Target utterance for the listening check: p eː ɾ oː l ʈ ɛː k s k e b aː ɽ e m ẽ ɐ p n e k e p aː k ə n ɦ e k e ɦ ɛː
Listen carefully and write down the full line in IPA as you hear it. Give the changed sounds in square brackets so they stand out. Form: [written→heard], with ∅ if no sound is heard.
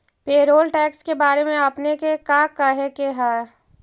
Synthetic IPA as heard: p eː ɾ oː l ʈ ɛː k s k e b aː [ɽ→ɾ] e m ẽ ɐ p n e k e [p→k] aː k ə [n→∅] ɦ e k e ɦ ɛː